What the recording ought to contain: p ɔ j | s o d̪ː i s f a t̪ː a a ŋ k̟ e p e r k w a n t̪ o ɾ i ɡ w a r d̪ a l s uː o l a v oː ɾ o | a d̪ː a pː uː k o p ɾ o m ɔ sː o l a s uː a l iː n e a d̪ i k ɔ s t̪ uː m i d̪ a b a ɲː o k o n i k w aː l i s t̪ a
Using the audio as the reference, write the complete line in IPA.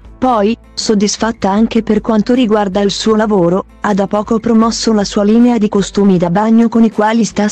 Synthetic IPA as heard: p ɔ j | s o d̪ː i s f a t̪ː a a ŋ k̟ e p e r k w a n t̪ o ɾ i ɡ w a r d̪ a l s uː o l a v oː ɾ o | a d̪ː a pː ɔː k o p ɾ o m ɔ sː o l a s uː a l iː n e a d̪ i k o s t̪ uː m i d̪ a b a ɲː o k o n i k w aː l i s t̪ a